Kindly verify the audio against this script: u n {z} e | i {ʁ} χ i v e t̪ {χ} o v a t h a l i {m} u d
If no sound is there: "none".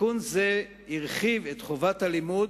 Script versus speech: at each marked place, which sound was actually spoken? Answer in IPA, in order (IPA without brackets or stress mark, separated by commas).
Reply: z, ʁ, χ, m